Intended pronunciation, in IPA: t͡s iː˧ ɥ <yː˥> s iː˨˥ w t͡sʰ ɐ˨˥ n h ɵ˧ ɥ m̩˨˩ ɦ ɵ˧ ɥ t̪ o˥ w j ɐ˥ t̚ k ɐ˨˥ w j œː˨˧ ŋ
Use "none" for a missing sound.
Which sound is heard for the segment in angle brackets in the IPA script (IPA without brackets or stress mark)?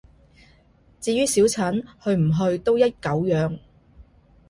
yː˥